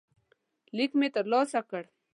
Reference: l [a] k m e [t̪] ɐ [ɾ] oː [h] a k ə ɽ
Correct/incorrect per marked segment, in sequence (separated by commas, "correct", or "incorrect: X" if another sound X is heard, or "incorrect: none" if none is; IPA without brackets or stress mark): incorrect: i, correct, incorrect: l, incorrect: s